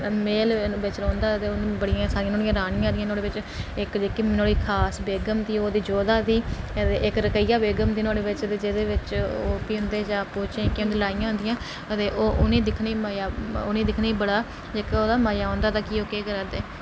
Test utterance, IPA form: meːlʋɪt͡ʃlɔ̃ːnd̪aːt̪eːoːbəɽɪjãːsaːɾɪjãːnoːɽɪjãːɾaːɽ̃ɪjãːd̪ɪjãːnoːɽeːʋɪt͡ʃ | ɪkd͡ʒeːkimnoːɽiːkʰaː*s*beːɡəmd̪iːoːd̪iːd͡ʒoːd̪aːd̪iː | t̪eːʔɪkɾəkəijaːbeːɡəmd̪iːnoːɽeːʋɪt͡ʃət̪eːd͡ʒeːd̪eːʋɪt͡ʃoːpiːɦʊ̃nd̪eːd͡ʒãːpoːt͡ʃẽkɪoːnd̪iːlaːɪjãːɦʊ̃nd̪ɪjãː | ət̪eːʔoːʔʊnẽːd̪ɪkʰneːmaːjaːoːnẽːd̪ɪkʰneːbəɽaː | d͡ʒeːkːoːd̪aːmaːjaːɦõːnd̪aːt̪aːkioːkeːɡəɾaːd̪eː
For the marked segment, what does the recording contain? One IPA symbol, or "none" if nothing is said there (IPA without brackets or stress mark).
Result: s